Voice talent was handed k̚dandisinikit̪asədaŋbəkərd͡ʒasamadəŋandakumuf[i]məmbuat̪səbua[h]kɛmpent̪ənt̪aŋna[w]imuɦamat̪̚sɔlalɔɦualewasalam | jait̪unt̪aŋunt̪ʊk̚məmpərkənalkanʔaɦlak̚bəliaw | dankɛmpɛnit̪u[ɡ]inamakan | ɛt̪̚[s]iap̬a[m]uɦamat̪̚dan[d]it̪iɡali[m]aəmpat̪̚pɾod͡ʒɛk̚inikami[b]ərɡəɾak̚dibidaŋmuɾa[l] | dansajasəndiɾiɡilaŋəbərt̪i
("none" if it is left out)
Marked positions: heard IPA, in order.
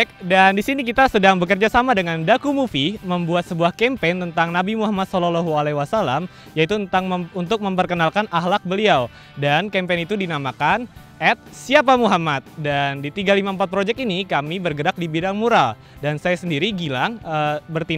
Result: i, h, b, d, s, m, d, m, b, l

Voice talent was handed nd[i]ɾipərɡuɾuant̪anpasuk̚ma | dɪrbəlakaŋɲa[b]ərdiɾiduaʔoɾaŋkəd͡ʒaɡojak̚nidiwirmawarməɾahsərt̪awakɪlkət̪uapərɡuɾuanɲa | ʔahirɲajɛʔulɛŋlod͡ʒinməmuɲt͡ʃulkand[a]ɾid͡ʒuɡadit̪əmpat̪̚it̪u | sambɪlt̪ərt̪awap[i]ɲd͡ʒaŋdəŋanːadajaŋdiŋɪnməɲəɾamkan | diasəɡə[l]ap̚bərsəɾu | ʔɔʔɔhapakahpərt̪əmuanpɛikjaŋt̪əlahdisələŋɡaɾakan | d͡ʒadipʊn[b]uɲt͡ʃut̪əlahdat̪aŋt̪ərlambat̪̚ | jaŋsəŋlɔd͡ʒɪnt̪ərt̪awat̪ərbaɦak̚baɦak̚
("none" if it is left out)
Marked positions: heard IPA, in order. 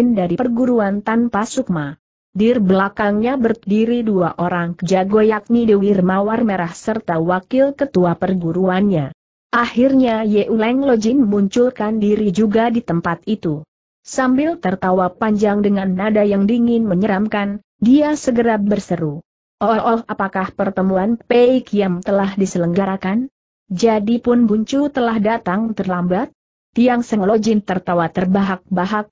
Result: a, b, i, a, ɾ, b

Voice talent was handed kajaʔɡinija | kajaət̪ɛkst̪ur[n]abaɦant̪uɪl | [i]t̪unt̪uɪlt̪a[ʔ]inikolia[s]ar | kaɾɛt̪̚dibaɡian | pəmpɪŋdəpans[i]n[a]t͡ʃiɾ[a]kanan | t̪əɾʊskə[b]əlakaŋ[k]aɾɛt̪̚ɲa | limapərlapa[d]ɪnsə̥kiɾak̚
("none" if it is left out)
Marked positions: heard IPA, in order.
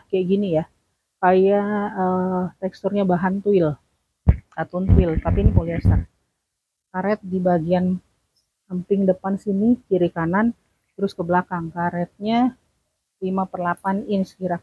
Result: ɲ, a, p, s, i, i, i, b, k, n

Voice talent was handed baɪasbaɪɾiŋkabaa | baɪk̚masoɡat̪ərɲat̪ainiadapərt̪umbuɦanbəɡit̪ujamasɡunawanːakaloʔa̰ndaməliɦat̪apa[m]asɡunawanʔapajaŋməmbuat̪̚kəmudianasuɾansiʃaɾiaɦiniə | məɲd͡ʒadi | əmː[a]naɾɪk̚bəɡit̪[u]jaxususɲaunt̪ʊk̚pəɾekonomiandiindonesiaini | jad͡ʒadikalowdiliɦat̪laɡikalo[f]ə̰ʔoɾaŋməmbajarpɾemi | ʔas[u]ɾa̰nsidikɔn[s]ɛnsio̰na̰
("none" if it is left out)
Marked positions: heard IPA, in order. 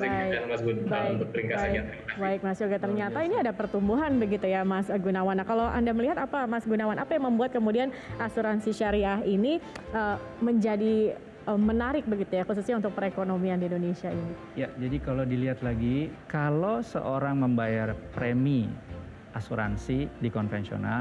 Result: m, ə, u, s, u, f

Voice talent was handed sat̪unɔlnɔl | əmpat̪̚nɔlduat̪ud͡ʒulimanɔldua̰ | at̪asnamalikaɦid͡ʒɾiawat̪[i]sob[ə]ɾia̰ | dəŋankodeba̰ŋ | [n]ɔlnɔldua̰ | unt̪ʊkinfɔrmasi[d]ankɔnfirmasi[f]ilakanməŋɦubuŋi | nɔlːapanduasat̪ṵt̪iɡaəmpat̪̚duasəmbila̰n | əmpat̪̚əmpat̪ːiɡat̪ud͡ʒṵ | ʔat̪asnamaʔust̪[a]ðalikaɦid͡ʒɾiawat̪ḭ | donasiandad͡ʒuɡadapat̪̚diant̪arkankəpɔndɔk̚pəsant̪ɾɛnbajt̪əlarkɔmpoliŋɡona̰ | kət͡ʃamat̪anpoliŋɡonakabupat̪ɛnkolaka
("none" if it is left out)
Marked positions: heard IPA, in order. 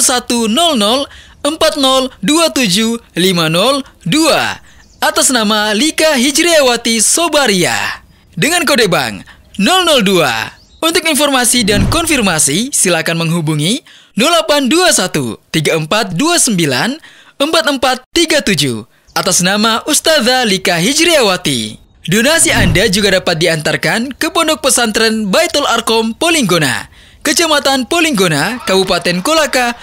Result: i, a, n, d, s, a

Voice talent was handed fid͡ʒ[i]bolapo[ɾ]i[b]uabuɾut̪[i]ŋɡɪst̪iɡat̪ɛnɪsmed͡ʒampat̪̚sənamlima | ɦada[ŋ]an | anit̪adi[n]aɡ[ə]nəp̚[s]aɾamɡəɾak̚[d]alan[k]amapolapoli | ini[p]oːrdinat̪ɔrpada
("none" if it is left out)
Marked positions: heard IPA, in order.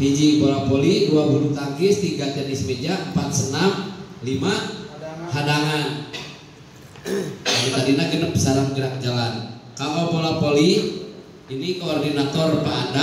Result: i, l, d, a, ŋ, n, ə, s, d͡ʒ, k, k

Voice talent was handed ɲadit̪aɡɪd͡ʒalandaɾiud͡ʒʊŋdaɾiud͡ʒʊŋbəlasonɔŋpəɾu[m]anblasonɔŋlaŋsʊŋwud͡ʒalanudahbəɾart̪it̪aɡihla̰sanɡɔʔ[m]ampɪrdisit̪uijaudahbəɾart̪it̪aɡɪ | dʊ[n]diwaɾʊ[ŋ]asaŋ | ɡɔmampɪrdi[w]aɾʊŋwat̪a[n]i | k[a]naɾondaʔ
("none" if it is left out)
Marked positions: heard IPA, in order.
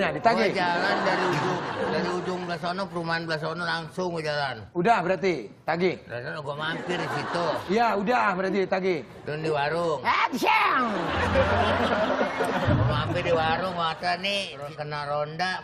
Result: m, m, n, ŋ, w, n, ə

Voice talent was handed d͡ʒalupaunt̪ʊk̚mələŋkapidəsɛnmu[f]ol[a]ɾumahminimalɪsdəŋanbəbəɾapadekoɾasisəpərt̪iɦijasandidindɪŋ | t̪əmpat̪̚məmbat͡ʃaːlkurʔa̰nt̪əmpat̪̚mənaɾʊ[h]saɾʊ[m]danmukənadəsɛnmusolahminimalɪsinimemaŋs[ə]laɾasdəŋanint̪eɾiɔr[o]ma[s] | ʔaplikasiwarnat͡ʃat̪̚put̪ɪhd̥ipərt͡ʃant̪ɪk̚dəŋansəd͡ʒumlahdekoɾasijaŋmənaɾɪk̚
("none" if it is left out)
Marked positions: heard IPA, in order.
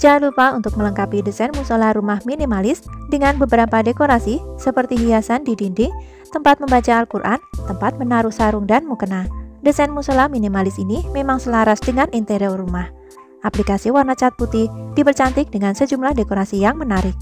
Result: s, a, h, ŋ, ə, u, h

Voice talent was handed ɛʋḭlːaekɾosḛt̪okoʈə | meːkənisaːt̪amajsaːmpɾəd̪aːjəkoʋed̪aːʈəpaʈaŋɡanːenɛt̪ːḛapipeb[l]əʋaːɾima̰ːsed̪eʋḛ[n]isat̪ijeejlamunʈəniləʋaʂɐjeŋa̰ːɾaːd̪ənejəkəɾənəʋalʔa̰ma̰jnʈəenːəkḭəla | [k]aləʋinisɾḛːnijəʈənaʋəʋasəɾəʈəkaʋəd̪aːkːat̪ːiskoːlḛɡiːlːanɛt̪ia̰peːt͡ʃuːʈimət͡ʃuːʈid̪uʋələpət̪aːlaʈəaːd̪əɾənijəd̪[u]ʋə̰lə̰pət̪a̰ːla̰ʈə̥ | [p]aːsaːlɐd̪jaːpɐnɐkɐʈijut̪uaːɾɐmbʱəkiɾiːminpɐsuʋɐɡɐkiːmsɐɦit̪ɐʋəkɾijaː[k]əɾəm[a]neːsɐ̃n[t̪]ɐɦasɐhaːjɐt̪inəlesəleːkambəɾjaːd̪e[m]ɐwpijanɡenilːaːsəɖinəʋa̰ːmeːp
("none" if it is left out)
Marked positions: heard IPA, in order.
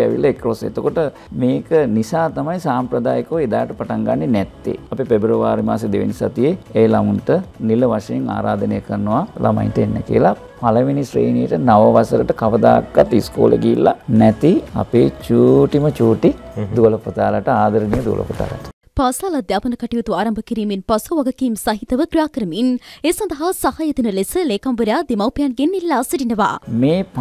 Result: ɾ, n, p, u, p, k, i, d̪, m

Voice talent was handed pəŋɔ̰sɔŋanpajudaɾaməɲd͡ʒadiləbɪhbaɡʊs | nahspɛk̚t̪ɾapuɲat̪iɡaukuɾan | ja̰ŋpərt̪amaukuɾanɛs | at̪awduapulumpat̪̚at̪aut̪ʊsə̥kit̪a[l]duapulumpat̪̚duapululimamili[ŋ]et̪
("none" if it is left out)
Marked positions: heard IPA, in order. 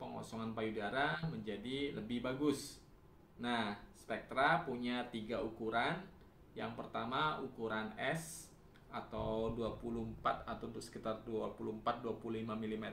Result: r, m

